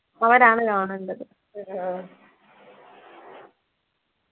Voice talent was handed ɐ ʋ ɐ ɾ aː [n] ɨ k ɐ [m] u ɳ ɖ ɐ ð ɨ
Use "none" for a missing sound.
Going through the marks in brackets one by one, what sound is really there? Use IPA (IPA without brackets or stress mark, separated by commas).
ɳ, ɳ